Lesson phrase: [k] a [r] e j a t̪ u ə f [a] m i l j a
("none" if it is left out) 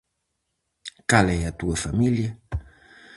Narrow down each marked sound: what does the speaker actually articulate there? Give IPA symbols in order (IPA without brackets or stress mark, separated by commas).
k, l, a